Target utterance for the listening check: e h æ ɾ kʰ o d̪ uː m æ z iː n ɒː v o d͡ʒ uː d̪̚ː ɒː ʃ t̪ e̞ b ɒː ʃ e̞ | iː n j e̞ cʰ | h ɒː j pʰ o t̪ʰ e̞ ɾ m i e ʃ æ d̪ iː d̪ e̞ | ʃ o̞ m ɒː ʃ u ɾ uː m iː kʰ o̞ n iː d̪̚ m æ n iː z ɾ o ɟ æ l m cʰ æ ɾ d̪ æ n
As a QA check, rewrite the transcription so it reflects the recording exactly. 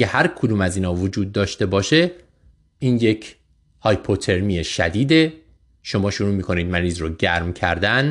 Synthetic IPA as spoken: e h æ ɾ kʰ o d̪ uː m æ z iː n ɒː v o d͡ʒ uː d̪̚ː ɒː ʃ t̪ e̞ b ɒː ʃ e̞ | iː n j e̞ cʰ | h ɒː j pʰ o t̪ʰ e̞ ɾ m i e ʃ æ d̪ iː d̪ e̞ | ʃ o̞ m ɒː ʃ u ɾ uː m iː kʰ o̞ n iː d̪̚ m æ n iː z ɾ o ɟ æ ɾ m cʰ æ ɾ d̪ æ n